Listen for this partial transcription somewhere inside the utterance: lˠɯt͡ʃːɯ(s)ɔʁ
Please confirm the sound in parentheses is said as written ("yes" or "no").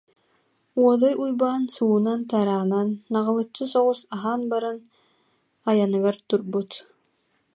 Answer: yes